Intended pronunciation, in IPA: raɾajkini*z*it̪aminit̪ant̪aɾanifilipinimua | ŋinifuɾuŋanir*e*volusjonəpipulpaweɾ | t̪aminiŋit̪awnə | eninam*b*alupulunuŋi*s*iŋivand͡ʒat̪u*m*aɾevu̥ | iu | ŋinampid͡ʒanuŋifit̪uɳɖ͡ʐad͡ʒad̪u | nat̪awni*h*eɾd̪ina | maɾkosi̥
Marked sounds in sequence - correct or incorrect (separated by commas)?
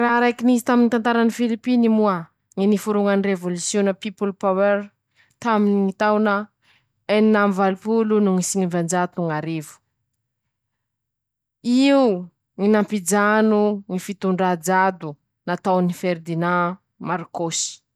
correct, correct, incorrect, correct, incorrect, incorrect